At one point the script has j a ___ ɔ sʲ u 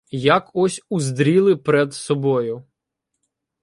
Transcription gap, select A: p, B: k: B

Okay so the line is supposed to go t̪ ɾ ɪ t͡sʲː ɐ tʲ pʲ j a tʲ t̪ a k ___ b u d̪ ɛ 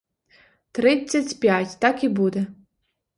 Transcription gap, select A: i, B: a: A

